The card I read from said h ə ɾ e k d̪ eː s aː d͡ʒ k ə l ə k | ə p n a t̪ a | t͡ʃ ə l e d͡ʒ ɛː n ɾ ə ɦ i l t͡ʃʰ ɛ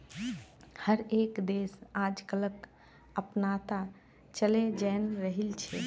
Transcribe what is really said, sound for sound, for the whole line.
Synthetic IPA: h ə ɾ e k d̪ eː s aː d͡ʒ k ə l ə k | ə p n a t̪ a | t͡ʃ ə l e d͡ʒ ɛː n ɾ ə ɦ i l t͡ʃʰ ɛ